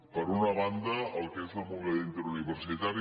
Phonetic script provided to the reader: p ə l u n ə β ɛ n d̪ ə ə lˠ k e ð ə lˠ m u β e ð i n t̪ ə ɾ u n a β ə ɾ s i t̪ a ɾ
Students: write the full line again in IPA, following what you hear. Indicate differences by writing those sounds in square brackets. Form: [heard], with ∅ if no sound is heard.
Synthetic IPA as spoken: p ə [ɾ] u n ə β [a] n d̪ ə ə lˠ k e [z] ə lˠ m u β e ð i n t̪ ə ɾ u n [i] β ə ɾ s i t̪ a ɾ

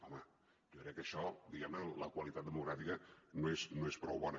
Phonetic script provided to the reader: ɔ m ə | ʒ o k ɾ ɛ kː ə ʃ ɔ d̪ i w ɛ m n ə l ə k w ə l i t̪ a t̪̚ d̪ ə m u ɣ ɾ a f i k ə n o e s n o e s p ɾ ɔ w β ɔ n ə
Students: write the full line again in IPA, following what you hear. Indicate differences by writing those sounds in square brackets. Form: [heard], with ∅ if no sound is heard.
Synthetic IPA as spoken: ɔ m ə | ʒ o k ɾ ɛ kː ə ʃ ɔ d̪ i [ɣ] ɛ m n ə l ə k w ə l i t̪ a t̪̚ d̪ ə m u ɣ ɾ a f i k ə n o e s n o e s p ɾ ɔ w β ɔ n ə

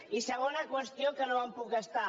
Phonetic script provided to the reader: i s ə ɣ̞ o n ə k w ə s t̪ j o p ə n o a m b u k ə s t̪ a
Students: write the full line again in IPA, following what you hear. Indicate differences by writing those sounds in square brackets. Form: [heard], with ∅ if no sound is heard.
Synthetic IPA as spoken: i s ə ɣ̞ o n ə k w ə s t̪ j o [k] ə n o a m [p] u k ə s t̪ a

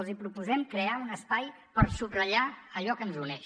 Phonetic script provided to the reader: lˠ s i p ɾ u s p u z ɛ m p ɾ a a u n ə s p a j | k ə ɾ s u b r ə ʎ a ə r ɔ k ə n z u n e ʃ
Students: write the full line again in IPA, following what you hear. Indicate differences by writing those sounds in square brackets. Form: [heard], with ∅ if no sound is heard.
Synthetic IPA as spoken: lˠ [z] i p ɾ u [∅] p u z ɛ m [k] ɾ [e] a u n ə s p a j | [p] ə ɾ s u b r ə ʎ a ə [ʎ] ɔ k ə n z u n [ɛ] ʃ

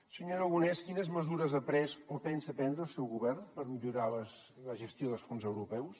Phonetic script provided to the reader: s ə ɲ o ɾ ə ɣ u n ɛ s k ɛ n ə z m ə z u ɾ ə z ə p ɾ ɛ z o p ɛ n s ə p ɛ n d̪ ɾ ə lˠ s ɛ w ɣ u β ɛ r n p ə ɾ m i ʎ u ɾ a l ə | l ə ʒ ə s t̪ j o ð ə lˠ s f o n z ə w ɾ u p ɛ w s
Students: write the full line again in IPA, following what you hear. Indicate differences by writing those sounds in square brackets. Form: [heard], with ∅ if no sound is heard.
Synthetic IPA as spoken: s ə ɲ o ɾ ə ɣ u n ɛ s k [i] n ə z m ə z u ɾ ə z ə p ɾ ɛ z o p ɛ n s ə p ɛ n d̪ ɾ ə lˠ s ɛ w ɣ u β ɛ r n p ə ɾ m i ʎ u ɾ a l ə | l ə ʒ ə s t̪ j o ð ə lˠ s f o n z ə w ɾ u p ɛ w s

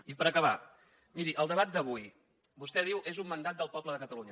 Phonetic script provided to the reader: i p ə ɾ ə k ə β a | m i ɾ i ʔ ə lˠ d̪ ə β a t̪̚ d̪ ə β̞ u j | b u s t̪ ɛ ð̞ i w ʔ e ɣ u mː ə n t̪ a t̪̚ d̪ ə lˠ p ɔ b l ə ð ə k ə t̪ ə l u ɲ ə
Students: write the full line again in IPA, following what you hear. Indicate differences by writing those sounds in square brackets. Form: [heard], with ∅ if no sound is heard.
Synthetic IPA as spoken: i p ə ɾ ə k ə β a | m i ɾ i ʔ ə lˠ d̪ ə β a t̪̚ d̪ ə β̞ u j | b u s t̪ ɛ ð̞ i w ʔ e [z] u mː ə n [d̪] a t̪̚ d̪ ə lˠ p ɔ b l ə ð ə k ə t̪ ə l u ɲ ə

